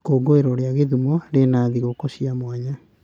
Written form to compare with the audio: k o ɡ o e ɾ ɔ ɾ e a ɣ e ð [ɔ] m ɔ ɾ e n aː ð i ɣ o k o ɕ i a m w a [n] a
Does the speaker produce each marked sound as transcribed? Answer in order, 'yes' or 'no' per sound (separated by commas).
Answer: no, no